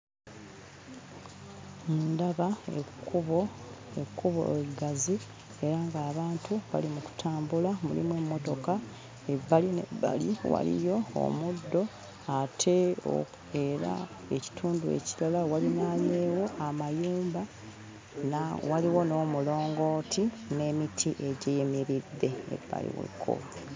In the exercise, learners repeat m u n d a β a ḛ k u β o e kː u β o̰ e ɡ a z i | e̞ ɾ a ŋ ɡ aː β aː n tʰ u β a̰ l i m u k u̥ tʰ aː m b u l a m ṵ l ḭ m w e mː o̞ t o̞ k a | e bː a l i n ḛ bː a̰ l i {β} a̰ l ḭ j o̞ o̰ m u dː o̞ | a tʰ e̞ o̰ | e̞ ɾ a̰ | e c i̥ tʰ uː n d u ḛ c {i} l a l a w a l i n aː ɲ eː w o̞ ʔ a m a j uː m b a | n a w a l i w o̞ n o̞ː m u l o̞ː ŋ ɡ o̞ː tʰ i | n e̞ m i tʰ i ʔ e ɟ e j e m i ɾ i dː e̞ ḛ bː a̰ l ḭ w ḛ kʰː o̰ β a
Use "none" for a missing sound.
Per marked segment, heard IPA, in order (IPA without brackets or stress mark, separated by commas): w, i